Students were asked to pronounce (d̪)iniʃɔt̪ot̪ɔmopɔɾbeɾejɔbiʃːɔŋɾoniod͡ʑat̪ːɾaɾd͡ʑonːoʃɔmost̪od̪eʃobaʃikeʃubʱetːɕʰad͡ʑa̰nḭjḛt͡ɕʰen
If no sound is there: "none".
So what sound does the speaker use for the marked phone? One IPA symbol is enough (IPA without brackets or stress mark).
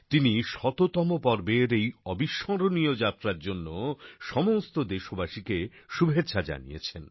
t̪